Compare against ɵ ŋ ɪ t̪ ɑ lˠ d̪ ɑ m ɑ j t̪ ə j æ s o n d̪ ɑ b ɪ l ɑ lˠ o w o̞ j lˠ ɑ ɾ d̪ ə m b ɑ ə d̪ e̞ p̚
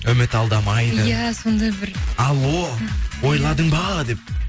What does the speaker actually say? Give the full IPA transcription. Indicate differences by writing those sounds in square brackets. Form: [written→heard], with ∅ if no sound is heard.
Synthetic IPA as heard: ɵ [ŋ→m] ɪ t̪ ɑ lˠ d̪ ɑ m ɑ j [t̪→d̪] ə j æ s o n d̪ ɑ b ɪ [l→ɾ] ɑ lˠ o w o̞ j lˠ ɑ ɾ d̪ ə [m→ɴ] b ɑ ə d̪ e̞ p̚